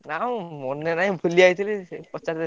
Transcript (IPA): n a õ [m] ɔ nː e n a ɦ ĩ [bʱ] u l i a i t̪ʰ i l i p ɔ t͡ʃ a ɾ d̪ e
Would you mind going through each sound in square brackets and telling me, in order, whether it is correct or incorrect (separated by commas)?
correct, correct